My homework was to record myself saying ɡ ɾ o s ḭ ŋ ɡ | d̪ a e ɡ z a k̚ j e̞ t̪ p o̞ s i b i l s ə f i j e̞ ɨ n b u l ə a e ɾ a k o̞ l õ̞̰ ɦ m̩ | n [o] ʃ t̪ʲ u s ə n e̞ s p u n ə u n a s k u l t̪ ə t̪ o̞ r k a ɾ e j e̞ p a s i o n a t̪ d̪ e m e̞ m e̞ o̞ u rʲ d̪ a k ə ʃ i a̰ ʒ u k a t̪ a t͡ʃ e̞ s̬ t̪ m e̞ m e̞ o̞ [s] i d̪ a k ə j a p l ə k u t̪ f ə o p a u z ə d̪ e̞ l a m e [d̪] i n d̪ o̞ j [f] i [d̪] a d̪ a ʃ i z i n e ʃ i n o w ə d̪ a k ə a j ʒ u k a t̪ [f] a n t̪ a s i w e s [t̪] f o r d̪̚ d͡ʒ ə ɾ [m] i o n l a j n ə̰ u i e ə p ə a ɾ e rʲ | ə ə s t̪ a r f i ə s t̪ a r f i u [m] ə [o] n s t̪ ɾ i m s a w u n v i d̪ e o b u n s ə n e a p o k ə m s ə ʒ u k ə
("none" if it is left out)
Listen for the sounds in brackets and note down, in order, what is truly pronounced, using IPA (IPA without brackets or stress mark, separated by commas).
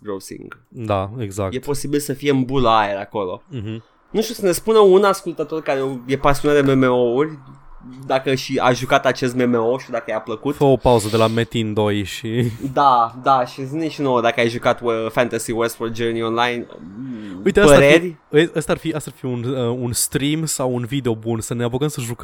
u, ʃ, t̪, ʃ, d̪, f, t̪, n, n, u